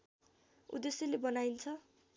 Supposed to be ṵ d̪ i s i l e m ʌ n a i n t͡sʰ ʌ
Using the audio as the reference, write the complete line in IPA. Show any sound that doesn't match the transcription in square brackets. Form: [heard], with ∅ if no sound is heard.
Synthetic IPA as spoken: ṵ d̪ [e] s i l e [b] ʌ n a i n t͡sʰ ʌ